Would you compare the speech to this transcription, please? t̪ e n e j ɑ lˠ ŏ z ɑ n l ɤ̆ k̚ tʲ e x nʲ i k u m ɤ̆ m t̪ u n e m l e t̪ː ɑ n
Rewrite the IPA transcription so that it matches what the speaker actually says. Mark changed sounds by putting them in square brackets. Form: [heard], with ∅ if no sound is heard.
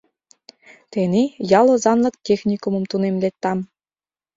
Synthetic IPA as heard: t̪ e n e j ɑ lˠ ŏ z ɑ n l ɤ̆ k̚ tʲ e x nʲ i k u m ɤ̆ m t̪ u n e m l e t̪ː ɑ [m]